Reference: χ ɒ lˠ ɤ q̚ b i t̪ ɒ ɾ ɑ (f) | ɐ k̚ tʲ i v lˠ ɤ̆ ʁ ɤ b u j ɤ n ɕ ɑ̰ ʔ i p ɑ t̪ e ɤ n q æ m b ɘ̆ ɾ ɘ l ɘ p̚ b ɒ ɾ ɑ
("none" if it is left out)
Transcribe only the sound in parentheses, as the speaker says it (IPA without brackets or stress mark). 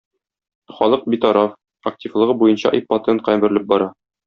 f